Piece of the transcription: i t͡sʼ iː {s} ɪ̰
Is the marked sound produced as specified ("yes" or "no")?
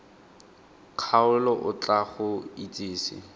yes